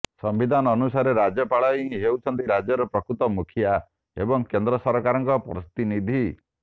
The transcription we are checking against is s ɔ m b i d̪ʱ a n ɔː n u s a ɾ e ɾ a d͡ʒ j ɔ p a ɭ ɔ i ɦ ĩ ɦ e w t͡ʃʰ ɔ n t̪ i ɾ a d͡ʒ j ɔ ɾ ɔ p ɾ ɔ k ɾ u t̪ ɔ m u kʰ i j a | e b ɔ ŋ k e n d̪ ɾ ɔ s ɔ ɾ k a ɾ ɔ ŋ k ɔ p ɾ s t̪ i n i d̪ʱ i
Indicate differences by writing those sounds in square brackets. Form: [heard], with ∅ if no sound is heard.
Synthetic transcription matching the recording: s ɔ m b i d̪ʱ a n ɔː n u s a ɾ e ɾ a d͡ʒ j ɔ p a ɭ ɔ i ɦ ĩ ɦ e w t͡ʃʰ ɔ n t̪ i ɾ a d͡ʒ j ɔ ɾ ɔ p ɾ ɔ k ɾ u t̪ ɔ m u kʰ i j a | e b ɔ ŋ k e n d̪ ɾ ɔ s ɔ ɾ k a ɾ ɔ ŋ k ɔ p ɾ s t̪ i n i d̪ʱ i